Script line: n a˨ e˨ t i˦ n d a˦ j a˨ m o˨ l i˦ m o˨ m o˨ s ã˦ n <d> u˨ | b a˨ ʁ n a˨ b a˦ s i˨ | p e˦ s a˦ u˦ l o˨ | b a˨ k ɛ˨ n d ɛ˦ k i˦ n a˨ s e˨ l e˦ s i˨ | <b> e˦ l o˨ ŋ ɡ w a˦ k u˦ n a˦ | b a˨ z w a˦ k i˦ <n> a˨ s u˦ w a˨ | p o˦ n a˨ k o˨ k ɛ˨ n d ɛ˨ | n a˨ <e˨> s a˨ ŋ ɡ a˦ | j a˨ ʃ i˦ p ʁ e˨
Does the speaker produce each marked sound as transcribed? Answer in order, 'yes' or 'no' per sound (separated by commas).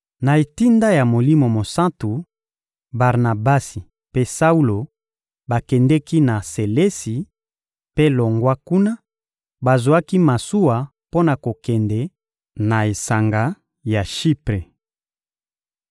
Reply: no, no, no, yes